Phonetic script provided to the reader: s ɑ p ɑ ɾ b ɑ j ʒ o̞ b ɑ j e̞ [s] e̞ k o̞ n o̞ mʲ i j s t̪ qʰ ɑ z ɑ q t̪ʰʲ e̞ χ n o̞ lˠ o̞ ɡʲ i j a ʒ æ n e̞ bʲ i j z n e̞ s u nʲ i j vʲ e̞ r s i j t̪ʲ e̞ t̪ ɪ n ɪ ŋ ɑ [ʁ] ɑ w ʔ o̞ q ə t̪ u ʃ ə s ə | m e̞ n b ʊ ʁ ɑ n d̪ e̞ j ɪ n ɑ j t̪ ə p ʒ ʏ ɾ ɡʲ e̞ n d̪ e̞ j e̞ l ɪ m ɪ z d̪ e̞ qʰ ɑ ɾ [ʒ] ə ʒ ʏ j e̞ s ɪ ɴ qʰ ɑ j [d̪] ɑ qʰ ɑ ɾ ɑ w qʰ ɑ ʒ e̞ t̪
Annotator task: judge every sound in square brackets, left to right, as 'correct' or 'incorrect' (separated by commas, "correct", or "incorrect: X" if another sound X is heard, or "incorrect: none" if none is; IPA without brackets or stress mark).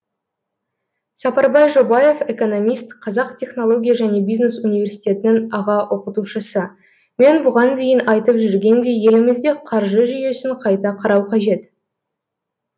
incorrect: f, correct, correct, incorrect: t̪